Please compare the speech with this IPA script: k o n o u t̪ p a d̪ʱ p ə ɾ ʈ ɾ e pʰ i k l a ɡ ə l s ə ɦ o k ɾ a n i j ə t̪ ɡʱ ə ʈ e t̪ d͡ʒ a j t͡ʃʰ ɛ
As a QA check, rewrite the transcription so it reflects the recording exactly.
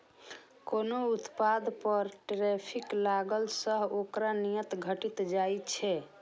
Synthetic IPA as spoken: k o n o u t̪ p a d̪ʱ p ə ɾ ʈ ɾ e pʰ i k l a ɡ ə l s ə ɦ o k ɾ a n i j ə t̪ ɡʱ ə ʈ i t̪ d͡ʒ a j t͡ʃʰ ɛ